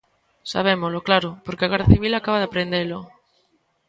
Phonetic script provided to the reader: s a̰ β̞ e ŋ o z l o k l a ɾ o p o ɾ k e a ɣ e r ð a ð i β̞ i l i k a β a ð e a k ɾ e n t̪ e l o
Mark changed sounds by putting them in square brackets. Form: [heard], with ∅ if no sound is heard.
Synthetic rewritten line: s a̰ β̞ e [m] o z l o k l a ɾ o p o ɾ k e a ɣ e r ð a [θ] i β̞ i l [a] k a β a ð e a [p] ɾ e n [d̪] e l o